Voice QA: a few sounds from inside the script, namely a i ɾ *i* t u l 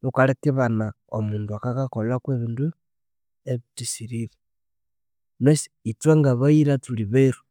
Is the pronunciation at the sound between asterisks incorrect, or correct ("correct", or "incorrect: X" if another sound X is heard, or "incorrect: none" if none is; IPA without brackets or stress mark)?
incorrect: a